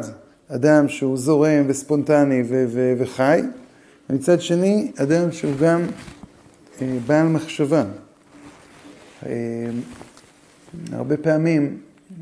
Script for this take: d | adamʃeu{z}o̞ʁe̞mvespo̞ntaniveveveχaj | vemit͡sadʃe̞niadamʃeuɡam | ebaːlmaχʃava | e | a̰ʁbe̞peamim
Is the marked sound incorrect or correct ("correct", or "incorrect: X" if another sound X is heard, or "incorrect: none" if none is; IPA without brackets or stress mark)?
correct